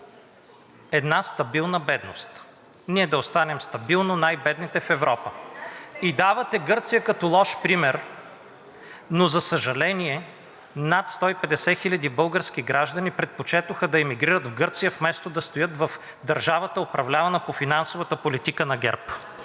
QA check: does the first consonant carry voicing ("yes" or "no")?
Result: yes